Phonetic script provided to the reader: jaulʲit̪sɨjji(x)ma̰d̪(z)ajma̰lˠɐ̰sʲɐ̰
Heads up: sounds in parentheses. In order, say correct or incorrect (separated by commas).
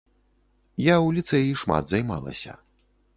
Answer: incorrect, correct